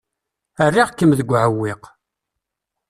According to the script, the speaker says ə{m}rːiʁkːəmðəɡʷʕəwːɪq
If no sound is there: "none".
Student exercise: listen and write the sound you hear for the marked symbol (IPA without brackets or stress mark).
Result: none